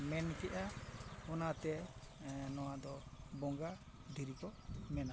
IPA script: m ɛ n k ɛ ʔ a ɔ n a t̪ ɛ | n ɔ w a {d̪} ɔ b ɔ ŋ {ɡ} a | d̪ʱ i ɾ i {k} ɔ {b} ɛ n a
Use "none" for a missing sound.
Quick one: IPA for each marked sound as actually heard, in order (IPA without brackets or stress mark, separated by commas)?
d̪, ɡ, k, m